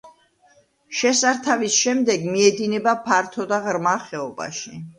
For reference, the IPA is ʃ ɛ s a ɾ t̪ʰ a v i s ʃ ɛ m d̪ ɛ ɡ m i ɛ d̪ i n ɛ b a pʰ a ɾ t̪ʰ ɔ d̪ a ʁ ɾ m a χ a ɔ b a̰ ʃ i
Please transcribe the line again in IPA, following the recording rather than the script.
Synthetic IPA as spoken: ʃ ɛ s a ɾ t̪ʰ a v i s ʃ ɛ m d̪ ɛ ɡ m i ɛ d̪ i n ɛ b a pʰ a ɾ t̪ʰ ɔ d̪ a ʁ ɾ m a χ ɛ ɔ b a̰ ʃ i

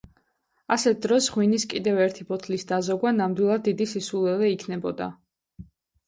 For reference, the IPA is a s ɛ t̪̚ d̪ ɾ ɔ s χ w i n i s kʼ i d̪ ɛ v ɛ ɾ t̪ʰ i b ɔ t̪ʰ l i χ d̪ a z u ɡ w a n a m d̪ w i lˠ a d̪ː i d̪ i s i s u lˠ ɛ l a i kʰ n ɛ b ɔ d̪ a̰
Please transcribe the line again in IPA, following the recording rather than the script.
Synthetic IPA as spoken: a s ɛ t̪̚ d̪ ɾ ɔ s ʁ w i n i s kʼ i d̪ ɛ v ɛ ɾ t̪ʰ i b ɔ t̪ʰ l i s d̪ a z ɔ ɡ w a n a m d̪ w i lˠ a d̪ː i d̪ i s i s u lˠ ɛ l ɛ i kʰ n ɛ b ɔ d̪ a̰

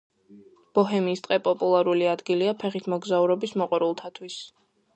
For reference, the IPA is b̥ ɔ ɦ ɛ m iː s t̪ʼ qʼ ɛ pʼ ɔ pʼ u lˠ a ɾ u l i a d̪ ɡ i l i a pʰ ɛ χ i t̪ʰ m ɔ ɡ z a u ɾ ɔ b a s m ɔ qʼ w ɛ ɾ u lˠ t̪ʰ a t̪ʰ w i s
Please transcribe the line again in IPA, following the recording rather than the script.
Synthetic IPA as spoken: b̥ ɔ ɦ ɛ m iː s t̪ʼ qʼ ɛ pʼ ɔ pʼ u lˠ a ɾ u l i a d̪ ɡ i l i a pʰ ɛ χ i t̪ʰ m ɔ ɡ z a u ɾ ɔ b i s m ɔ qʼ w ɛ ɾ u lˠ t̪ʰ a t̪ʰ w i s

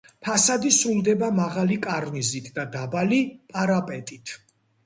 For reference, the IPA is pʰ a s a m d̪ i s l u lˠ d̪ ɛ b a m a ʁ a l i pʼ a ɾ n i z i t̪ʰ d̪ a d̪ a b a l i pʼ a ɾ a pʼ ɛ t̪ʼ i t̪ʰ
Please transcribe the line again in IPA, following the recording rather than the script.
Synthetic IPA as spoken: pʰ a s a d̪ i s ɾ u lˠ d̪ ɛ b a m a ʁ a l i kʼ a ɾ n i z i t̪ʰ d̪ a d̪ a b a l i pʼ a ɾ a pʼ ɛ t̪ʼ i t̪ʰ

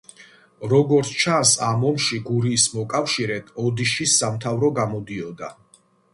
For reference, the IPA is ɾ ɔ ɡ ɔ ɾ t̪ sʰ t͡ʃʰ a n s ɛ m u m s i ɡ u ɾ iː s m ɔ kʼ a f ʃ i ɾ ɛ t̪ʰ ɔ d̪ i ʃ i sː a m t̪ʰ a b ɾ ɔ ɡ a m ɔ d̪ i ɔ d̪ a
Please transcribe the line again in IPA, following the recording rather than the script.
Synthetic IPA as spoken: ɾ ɔ ɡ ɔ ɾ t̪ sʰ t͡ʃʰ a n s a m ɔ m ʃ i ɡ u ɾ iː s m ɔ kʼ a f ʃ i ɾ ɛ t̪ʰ ɔ d̪ i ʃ i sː a m t̪ʰ a v ɾ ɔ ɡ a m ɔ d̪ i ɔ d̪ a

